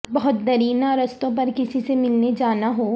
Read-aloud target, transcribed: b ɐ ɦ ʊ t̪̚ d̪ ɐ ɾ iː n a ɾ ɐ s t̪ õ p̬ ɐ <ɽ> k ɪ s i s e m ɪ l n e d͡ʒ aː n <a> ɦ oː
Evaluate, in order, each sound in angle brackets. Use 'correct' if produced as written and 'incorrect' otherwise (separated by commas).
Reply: incorrect, correct